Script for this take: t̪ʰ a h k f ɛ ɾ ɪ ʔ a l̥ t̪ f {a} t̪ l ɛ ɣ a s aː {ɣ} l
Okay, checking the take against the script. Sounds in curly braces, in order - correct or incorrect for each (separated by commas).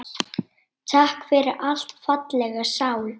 correct, incorrect